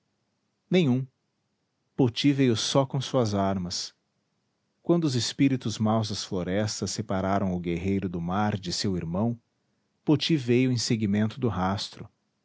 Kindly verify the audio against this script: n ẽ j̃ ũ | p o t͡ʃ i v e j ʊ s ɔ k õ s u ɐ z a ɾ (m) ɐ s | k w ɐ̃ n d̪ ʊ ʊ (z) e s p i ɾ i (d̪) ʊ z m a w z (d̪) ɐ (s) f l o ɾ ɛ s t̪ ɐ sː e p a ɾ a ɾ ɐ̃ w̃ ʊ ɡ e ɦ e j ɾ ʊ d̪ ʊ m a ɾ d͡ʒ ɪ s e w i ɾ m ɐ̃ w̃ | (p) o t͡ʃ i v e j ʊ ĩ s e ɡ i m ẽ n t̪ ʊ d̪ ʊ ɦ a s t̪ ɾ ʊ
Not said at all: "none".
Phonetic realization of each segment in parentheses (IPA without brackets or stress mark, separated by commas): m, z, t̪, d̪, s, p